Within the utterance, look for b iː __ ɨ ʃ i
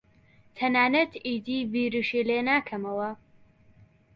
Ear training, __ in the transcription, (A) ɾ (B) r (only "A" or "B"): A